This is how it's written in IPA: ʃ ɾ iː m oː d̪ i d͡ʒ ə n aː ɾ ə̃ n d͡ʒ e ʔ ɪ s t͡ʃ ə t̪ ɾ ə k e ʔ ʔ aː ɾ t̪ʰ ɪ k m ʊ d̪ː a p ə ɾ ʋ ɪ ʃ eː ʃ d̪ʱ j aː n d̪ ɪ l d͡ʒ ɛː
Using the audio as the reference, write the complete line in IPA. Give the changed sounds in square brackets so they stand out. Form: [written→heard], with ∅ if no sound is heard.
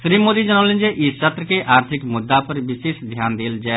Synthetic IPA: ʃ ɾ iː m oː d̪ i d͡ʒ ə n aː [ɾ→l] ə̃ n d͡ʒ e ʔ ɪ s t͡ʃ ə t̪ ɾ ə k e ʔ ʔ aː ɾ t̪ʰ ɪ k m ʊ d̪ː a p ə ɾ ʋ ɪ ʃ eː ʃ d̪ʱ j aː n d̪ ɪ l d͡ʒ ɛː